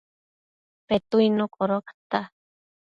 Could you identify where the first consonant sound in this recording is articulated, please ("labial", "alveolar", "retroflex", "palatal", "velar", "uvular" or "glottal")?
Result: labial